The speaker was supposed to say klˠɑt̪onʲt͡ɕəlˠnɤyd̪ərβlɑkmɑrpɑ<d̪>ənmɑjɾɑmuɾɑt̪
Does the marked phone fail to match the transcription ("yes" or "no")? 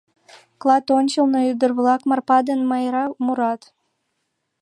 no